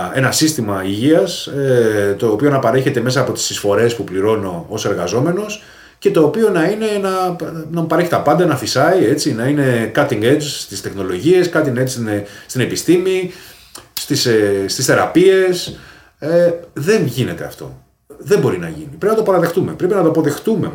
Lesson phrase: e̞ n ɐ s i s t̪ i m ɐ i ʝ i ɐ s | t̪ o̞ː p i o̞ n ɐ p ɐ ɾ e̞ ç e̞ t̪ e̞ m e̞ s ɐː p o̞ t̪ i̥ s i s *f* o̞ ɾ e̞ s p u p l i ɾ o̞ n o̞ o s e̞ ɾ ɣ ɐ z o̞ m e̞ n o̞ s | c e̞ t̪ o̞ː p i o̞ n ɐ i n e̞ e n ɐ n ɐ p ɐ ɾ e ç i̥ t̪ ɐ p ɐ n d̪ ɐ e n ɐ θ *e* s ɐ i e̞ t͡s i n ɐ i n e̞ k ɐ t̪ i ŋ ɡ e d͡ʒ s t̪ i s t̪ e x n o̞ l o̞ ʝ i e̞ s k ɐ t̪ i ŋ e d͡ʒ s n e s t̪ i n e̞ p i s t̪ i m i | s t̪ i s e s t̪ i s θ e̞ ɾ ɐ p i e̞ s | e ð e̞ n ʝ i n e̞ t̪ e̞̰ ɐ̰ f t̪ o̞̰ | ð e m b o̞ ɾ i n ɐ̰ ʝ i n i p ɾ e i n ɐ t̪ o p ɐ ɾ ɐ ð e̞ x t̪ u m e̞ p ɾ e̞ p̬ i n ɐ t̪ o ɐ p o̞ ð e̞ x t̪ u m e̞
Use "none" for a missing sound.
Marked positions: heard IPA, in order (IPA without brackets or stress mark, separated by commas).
f, i